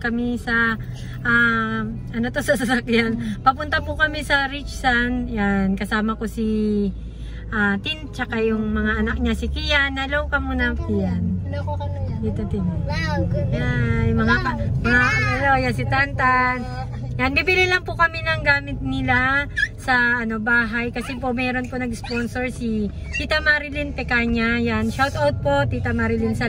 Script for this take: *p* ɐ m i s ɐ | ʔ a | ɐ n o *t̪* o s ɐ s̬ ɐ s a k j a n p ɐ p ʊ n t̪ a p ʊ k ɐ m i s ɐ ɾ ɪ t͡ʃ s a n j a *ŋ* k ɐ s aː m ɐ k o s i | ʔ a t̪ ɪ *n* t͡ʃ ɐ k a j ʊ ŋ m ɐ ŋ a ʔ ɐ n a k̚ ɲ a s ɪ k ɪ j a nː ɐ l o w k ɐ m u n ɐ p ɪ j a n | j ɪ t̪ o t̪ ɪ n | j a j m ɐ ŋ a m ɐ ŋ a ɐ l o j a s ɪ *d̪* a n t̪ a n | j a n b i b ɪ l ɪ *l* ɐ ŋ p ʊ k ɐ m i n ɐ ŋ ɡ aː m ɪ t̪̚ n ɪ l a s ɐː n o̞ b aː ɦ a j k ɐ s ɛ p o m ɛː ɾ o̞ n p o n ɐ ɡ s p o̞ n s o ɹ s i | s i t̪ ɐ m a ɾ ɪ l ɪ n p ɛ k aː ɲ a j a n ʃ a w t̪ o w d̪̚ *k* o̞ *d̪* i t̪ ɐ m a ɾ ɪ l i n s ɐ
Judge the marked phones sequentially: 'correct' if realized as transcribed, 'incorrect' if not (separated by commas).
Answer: incorrect, correct, incorrect, correct, incorrect, correct, incorrect, incorrect